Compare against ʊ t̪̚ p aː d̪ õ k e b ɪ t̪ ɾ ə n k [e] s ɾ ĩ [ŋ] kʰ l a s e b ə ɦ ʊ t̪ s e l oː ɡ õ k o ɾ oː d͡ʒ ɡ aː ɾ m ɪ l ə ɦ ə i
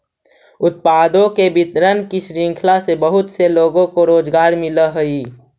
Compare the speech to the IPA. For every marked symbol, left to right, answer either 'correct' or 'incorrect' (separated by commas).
incorrect, correct